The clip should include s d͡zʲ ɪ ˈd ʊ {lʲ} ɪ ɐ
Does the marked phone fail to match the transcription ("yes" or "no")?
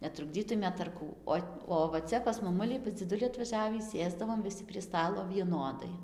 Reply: no